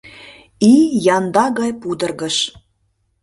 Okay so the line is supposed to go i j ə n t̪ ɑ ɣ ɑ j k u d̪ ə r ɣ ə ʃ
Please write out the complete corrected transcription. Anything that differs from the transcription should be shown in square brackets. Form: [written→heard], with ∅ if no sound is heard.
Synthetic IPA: i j [ə→ɑ] n [t̪→d̪] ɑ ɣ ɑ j [k→p] u d̪ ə r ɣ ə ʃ